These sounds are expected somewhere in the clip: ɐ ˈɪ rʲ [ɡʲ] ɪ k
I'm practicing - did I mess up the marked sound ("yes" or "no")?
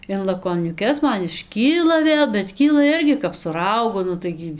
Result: no